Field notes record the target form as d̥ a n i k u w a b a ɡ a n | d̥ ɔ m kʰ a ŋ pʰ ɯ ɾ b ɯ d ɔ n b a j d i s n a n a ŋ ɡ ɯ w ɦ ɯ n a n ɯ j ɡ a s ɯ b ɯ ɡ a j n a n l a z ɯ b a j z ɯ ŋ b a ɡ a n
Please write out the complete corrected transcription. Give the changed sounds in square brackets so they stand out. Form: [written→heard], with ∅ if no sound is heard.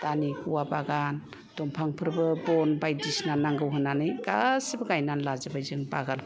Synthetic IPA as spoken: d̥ a n i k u w a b a ɡ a n | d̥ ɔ m [kʰ→pʰ] a ŋ pʰ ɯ ɾ b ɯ [d→b] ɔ n b a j d i s n a n a ŋ ɡ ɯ w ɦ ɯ n a n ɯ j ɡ a s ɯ b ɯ ɡ a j n a n l a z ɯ b a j z ɯ ŋ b a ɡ a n